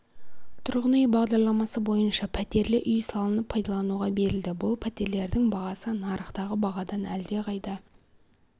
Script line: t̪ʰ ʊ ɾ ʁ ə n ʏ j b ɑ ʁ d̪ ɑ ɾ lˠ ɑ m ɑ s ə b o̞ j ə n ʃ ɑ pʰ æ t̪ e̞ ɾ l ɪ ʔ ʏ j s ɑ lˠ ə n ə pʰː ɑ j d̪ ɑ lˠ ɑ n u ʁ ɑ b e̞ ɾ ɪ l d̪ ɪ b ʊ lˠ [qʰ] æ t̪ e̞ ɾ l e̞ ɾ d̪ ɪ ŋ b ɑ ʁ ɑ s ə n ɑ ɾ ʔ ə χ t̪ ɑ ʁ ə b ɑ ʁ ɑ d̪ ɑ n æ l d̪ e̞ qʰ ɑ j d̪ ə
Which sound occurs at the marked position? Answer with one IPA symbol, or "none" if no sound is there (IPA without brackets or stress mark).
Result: pʰ